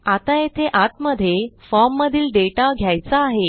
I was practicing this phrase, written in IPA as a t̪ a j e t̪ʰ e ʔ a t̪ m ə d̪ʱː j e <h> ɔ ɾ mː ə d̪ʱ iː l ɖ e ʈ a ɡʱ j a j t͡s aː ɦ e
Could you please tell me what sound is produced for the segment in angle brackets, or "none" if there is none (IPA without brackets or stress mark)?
f